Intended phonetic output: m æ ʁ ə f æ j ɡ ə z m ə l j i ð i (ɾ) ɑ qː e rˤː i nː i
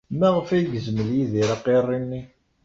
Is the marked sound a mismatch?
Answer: no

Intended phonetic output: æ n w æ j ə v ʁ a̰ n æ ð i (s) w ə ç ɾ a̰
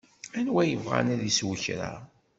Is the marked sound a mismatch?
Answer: no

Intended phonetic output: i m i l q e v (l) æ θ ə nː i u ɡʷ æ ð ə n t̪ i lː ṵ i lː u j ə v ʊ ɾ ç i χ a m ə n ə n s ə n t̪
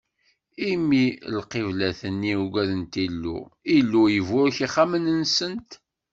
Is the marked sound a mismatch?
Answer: no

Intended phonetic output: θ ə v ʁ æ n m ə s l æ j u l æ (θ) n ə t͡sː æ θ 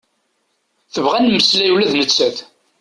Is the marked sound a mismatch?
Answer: yes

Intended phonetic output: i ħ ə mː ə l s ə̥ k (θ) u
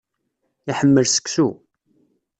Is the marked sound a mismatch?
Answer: yes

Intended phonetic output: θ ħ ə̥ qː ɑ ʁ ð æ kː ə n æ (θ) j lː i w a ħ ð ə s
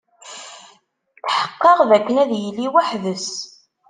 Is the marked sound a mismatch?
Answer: yes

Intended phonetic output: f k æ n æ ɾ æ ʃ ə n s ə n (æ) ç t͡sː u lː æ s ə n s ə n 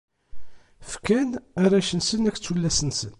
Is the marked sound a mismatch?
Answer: no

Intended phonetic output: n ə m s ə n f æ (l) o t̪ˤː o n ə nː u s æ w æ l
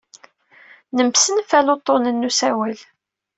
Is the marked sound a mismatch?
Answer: no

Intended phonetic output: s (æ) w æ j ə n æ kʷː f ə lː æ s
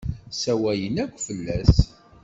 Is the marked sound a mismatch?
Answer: no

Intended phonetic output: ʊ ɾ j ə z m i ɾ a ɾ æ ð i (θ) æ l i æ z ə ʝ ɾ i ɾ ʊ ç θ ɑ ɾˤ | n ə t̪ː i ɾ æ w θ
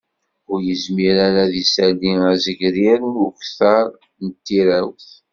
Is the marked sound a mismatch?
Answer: yes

